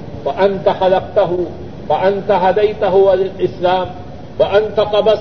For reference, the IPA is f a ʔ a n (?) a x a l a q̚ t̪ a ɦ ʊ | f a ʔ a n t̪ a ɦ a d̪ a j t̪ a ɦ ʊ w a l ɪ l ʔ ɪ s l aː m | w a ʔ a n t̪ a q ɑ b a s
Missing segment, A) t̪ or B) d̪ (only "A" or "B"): A